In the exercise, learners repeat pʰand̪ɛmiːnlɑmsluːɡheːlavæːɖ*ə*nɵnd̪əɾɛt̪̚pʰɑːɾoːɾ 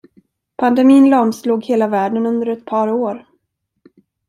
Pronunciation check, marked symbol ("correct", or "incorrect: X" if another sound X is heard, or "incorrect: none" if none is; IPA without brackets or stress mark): correct